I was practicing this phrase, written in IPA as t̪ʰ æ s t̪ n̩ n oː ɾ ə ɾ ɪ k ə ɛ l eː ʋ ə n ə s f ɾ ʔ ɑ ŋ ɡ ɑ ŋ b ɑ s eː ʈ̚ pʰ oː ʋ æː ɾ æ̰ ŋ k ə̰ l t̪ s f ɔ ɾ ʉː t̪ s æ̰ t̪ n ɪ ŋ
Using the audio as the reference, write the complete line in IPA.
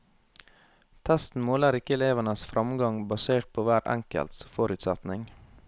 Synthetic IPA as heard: t̪ʰ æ s t̪ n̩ m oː l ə ɾ ɪ k ə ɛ l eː ʋ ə n ə s f ɾ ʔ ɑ m ɡ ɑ ŋ b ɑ s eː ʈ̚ pʰ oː ʋ æː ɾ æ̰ ŋ k ə̰ l t̪ s f ɔ ɾ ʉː t̪ s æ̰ t̪ n ɪ ŋ

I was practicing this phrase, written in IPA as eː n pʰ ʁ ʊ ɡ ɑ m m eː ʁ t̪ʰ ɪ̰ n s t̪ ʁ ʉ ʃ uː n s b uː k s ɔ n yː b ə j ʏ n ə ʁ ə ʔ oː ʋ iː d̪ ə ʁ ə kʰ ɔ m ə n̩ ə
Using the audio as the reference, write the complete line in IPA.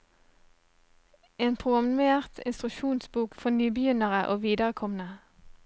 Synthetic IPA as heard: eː n pʰ ʁ ʊ ɡ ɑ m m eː ʁ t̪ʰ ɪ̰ n s t̪ ʁ ʉ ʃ uː n s b uː k f ɔ n yː b ə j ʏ n ə ʁ ə ʔ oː ʋ iː d̪ ə ʁ ə kʰ ɔ m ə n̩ ə

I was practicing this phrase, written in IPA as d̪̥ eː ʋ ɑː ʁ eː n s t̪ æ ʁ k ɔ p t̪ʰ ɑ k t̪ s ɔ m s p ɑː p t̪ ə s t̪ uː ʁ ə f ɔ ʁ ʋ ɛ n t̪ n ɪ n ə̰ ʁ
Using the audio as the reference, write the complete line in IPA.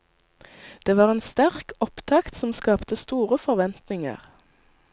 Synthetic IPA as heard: d̪̥ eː ʋ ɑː ʁ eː n s t̪ æ ʁ k ɔ p t̪ʰ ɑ k t̪ s ɔ m s k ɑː p t̪ ə s t̪ uː ʁ ə f ɔ ʁ ʋ ɛ n t̪ n ɪ ŋ ə̰ ʁ

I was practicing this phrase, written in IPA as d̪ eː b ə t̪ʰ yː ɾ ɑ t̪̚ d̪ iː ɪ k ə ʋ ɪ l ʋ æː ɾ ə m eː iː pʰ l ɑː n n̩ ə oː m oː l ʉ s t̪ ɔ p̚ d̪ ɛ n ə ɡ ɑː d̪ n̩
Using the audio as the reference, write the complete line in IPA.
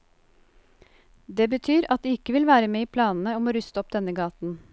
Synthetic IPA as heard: d̪ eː b ə t̪ʰ yː ɾ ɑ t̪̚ d̪ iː ɪ k ə ʋ ɪ l ʋ æː ɾ ə m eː iː pʰ l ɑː n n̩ ə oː m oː ɾ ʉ s t̪ ɔ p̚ d̪ ɛ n ə ɡ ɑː t̪ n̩

